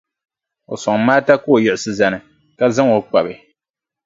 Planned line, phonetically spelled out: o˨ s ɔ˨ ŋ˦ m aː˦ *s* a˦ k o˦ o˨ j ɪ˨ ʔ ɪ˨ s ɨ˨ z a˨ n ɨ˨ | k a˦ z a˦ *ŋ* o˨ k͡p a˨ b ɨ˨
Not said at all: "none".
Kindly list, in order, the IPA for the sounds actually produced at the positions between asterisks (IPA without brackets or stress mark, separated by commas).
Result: t, ŋ